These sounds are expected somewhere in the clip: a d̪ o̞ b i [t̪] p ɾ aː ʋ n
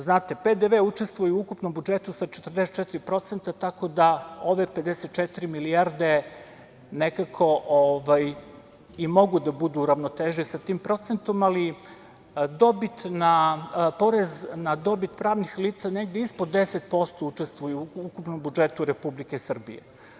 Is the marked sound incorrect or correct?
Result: correct